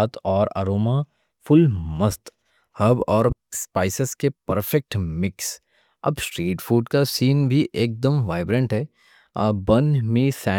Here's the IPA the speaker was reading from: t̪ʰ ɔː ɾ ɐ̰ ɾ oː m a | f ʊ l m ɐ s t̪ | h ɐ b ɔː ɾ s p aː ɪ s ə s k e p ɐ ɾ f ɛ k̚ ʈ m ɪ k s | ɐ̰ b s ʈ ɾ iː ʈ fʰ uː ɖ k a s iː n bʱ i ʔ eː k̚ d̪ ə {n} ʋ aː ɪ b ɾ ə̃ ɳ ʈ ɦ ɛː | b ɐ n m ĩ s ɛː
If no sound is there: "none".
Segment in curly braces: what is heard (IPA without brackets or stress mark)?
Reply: m